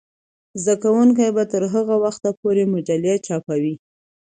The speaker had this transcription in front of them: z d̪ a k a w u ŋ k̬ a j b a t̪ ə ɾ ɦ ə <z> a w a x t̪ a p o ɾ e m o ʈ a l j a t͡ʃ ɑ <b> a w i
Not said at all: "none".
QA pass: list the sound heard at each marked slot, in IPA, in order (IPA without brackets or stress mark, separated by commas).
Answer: ɣ, p